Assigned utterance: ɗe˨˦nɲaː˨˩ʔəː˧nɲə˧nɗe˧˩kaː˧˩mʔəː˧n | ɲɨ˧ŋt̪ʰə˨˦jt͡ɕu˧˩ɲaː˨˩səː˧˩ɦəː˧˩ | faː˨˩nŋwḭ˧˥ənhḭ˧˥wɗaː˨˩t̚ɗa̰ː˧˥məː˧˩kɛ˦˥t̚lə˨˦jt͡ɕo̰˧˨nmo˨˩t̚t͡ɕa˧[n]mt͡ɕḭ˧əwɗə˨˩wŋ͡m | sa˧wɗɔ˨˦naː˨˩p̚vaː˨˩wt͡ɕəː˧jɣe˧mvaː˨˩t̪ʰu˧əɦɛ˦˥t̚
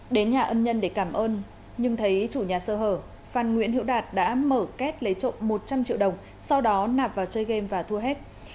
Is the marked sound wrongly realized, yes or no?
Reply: yes